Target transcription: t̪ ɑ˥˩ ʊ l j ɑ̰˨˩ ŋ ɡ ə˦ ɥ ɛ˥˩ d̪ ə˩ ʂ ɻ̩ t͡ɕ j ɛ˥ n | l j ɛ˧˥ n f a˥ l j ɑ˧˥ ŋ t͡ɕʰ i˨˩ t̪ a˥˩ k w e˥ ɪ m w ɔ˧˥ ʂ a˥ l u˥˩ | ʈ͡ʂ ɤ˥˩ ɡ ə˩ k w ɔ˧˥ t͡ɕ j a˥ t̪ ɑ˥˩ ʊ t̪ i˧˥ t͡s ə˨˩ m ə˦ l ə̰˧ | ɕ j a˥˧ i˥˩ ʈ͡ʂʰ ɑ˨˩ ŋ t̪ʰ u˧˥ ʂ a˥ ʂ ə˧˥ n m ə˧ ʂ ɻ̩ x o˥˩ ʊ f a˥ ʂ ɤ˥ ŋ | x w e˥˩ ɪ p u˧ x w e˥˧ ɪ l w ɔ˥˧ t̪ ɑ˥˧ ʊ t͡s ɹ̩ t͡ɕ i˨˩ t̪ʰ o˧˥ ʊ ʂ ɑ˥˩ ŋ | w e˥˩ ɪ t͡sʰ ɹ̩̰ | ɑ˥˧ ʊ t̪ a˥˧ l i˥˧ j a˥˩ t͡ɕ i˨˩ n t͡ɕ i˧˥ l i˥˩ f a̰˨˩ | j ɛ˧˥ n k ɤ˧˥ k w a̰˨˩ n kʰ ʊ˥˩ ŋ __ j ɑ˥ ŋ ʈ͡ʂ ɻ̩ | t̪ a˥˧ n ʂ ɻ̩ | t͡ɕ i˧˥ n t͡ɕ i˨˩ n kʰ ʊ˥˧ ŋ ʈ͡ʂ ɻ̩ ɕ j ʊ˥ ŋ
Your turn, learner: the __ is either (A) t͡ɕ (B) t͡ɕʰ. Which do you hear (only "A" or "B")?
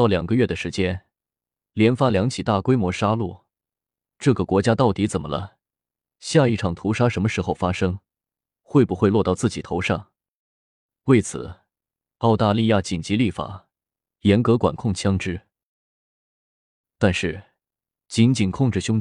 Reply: B